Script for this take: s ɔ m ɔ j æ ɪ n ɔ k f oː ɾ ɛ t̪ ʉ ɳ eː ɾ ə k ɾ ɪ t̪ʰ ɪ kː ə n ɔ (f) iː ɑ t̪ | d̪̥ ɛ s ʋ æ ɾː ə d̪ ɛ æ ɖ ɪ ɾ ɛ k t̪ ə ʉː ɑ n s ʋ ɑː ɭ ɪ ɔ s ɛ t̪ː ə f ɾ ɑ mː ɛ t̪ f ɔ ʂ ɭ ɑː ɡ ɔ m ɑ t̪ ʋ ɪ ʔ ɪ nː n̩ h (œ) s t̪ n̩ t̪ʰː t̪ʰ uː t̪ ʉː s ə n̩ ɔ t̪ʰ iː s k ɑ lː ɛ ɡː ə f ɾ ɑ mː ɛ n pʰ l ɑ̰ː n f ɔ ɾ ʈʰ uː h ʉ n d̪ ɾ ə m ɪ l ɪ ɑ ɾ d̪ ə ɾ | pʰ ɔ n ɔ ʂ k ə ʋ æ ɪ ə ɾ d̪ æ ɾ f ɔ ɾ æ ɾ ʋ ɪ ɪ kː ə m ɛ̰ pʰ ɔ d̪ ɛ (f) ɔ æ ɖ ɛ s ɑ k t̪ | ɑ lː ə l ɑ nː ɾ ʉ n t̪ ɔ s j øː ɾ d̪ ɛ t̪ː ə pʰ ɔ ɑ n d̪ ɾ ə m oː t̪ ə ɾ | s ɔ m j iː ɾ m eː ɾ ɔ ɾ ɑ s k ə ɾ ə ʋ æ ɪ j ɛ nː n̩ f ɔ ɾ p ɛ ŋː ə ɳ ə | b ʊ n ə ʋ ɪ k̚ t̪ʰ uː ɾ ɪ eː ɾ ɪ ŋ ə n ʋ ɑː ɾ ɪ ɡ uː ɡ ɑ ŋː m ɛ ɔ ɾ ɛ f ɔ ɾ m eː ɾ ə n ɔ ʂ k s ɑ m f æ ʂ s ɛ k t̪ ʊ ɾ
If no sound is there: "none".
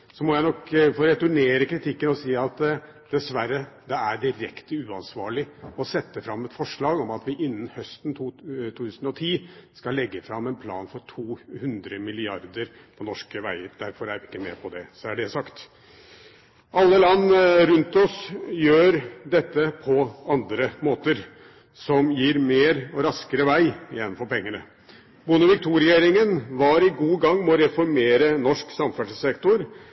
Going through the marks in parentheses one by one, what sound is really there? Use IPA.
s, œ, s

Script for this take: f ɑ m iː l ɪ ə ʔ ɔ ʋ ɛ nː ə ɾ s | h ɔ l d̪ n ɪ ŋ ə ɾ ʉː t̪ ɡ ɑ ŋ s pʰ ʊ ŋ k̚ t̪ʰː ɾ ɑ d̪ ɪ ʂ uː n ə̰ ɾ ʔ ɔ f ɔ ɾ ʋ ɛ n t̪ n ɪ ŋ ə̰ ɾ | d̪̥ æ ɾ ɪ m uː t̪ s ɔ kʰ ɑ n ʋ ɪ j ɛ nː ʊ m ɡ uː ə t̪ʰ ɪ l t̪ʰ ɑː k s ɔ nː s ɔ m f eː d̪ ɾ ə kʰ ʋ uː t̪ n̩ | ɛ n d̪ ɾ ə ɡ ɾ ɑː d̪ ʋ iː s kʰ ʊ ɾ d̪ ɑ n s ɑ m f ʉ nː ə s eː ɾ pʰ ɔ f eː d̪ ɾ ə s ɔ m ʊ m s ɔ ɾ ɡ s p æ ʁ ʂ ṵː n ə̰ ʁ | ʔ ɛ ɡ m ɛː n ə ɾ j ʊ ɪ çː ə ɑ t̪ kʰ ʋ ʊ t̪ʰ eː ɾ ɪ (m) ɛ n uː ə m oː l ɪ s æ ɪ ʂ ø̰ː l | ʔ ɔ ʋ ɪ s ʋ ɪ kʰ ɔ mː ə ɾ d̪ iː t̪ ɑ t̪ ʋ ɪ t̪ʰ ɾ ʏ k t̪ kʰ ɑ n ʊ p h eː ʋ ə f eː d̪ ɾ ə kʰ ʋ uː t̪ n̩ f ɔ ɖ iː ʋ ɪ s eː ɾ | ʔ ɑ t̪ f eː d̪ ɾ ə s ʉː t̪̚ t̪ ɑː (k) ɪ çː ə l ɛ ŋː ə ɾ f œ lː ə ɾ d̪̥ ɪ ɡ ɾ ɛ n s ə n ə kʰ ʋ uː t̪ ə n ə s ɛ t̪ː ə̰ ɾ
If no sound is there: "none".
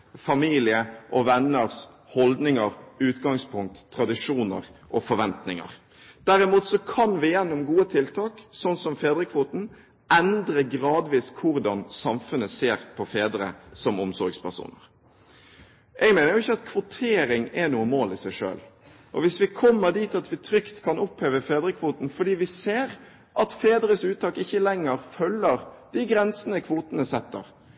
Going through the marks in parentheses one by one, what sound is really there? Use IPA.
ŋ, k

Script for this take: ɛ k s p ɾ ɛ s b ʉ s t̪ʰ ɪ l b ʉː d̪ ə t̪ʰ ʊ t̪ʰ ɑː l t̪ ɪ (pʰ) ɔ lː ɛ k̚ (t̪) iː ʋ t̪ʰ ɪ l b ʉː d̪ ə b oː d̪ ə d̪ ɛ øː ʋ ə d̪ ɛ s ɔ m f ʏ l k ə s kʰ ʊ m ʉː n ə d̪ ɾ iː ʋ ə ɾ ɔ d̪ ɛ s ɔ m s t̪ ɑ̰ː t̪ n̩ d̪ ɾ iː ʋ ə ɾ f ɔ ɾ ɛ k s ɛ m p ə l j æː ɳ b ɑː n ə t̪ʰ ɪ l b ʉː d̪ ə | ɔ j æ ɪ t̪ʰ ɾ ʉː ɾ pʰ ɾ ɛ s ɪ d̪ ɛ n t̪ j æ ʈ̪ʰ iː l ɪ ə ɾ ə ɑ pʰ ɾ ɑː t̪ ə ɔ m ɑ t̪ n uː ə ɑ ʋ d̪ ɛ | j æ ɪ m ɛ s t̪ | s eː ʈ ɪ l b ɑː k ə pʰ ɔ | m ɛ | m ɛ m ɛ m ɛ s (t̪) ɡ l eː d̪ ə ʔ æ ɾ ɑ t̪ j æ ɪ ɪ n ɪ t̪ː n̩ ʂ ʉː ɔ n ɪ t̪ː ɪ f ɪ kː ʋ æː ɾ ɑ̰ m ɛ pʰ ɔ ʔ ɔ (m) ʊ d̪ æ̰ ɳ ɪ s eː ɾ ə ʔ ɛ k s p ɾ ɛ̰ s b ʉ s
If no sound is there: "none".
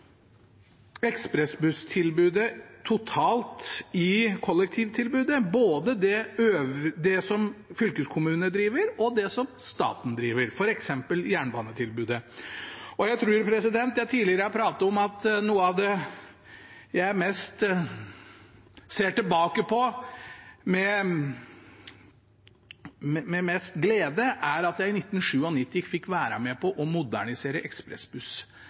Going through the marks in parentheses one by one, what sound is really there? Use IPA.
kʰ, t̪ʰ, t̪, m

